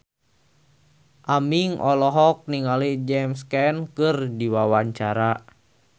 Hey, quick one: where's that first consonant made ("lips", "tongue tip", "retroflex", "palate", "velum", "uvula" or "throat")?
throat